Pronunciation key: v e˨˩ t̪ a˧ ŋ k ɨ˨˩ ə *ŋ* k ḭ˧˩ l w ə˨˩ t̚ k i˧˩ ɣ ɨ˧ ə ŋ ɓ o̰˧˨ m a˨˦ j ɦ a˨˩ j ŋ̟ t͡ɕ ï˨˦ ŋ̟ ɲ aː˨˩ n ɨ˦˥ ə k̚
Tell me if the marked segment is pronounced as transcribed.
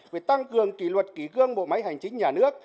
yes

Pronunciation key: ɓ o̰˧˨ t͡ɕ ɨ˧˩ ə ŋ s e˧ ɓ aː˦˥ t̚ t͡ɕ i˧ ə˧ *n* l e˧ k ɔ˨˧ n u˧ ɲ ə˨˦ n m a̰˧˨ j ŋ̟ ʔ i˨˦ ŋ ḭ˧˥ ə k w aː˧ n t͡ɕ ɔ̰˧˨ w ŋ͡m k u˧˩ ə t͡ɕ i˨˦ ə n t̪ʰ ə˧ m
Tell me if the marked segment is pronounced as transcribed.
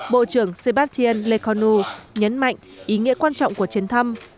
yes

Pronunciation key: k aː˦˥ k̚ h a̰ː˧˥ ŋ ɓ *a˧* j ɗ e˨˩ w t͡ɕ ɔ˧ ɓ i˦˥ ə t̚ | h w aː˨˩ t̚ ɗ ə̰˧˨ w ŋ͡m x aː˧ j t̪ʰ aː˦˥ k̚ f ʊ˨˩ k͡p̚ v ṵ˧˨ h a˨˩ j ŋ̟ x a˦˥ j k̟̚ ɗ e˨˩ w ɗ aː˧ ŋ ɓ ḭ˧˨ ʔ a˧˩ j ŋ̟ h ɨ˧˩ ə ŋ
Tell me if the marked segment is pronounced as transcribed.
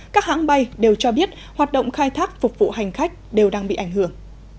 yes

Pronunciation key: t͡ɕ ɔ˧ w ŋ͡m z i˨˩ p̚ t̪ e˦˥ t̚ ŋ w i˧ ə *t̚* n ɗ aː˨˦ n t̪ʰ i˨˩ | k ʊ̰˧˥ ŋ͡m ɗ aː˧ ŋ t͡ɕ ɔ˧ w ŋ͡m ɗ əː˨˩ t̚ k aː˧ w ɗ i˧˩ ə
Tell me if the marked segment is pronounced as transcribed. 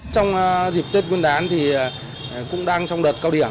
no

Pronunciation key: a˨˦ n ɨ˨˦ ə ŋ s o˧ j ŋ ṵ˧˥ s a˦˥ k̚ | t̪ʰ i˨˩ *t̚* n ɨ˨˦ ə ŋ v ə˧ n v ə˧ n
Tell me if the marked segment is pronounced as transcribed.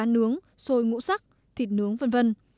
yes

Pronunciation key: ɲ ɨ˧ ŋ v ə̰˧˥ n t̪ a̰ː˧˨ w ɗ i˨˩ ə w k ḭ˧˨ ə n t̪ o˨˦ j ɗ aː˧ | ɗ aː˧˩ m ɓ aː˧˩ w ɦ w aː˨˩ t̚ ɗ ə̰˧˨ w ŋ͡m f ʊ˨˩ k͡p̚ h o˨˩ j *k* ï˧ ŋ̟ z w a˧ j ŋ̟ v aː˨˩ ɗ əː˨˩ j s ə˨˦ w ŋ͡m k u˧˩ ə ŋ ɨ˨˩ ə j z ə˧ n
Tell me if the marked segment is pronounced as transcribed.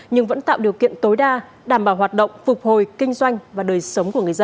yes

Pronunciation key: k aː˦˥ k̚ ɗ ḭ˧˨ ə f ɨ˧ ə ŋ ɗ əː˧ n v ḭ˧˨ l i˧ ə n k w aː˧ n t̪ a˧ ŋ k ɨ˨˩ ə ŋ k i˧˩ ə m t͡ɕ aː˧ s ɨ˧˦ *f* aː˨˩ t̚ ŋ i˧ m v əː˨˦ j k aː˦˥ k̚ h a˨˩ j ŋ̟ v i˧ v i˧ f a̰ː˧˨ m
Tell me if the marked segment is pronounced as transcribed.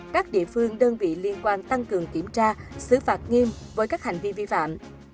yes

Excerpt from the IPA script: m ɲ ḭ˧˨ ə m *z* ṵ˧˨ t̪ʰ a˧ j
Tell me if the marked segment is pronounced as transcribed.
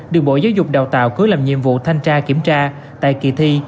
no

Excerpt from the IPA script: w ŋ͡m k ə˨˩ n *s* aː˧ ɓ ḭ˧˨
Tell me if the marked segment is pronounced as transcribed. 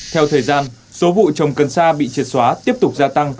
yes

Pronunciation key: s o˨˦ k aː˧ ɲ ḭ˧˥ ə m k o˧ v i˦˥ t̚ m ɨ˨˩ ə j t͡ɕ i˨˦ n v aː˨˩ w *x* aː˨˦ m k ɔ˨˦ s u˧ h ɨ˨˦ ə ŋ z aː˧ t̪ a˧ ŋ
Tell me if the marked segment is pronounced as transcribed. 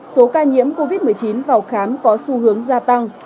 yes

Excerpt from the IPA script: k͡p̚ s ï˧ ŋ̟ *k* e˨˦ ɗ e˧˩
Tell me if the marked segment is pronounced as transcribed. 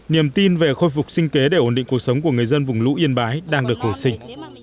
yes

